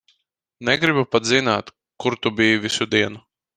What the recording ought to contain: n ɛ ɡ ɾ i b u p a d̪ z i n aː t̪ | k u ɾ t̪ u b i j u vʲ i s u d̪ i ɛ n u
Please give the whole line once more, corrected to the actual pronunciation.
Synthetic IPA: n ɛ ɡ ɾ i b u p a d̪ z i n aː t̪ | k u ɾ t̪ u b i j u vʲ i s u d̪ i ɛ n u